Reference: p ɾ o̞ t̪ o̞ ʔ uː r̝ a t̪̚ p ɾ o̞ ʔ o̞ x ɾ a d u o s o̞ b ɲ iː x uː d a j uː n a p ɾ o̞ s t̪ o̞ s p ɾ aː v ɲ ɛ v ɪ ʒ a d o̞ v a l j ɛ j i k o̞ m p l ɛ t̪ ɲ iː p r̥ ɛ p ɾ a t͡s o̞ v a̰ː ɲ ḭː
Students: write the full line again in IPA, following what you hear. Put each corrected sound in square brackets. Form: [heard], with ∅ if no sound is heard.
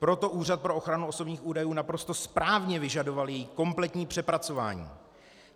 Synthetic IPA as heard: p ɾ o̞ t̪ o̞ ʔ uː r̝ a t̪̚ p ɾ o̞ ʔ o̞ x ɾ a [n] u o s o̞ b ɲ iː x uː d a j uː n a p ɾ o̞ s t̪ o̞ s p ɾ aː v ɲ ɛ v ɪ ʒ a d o̞ v a l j ɛ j i k o̞ m p l ɛ t̪ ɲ iː p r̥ ɛ p ɾ a t͡s o̞ v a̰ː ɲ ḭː